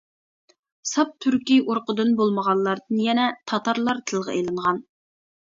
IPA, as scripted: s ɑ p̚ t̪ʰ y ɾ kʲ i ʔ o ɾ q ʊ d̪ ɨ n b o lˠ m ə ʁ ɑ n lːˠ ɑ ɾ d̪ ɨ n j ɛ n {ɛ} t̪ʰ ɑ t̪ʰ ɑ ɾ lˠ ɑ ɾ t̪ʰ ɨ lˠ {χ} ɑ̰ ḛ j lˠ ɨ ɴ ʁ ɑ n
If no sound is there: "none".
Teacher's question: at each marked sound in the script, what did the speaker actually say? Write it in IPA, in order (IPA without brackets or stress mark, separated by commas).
ɛ, ʁ